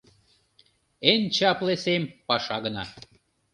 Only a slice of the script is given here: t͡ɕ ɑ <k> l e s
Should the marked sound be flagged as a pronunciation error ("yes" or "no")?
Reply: yes